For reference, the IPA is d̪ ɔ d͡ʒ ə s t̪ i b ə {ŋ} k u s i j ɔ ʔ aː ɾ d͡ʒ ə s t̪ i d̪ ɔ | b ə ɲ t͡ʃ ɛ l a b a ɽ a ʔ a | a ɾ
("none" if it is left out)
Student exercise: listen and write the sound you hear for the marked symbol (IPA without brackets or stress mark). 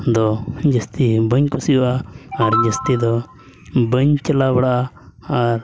ɲ